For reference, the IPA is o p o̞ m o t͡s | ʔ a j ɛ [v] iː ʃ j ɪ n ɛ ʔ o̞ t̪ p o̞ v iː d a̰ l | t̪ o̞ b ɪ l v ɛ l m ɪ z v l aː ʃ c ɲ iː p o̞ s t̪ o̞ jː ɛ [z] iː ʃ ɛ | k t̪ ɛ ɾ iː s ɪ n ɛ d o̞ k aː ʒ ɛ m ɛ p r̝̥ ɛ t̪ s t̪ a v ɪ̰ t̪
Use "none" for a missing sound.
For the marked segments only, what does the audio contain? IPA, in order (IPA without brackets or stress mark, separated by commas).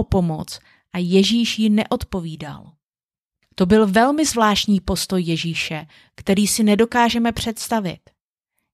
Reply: ʒ, ʒ